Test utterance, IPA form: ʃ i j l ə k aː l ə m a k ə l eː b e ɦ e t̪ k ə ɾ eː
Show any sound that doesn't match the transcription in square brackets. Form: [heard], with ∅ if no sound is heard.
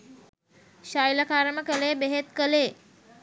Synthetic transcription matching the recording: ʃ [a] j l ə k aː [ɾ] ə m [ə] k ə l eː b e ɦ e t̪ k ə [l] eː